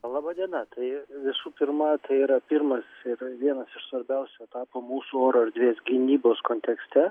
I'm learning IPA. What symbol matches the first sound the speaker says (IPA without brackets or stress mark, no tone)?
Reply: lˠ